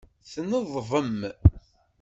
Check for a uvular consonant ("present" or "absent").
absent